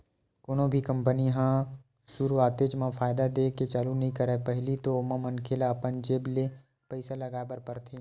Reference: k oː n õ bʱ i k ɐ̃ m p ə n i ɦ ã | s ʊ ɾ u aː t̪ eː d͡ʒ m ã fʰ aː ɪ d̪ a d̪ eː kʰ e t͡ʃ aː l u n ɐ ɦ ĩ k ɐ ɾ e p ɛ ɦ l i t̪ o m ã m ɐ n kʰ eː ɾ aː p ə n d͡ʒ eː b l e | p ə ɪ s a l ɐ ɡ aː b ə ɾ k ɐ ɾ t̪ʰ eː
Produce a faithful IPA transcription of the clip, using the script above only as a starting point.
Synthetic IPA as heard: k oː n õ bʱ i k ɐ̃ m p ə n i ɦ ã | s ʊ ɾ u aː t̪ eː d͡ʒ m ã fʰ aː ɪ d̪ a d̪ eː k e t͡ʃ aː l u n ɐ ɦ ĩ k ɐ ɾ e p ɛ ɦ l i t̪ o m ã m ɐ n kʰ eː l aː p ə n d͡ʒ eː b l e | p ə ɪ s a l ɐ ɡ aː b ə ɾ p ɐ ɾ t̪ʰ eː